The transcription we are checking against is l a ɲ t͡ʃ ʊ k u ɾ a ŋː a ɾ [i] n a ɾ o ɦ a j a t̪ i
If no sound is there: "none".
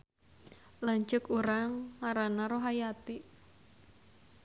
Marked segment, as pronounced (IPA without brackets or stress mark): a